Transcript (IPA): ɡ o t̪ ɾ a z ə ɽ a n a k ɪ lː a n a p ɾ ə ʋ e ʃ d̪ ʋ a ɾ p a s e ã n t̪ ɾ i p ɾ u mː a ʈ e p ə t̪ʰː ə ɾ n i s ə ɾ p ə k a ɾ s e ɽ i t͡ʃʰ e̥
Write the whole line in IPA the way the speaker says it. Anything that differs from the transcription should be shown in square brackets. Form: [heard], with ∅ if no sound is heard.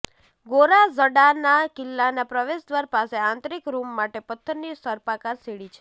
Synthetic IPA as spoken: ɡ o [∅] ɾ a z ə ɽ a n a k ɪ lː a n a p ɾ ə ʋ e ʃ d̪ ʋ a ɾ p a s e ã n t̪ ɾ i [k] ɾ u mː a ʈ e p ə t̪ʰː ə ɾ n i s ə ɾ p [a] k a ɾ s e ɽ i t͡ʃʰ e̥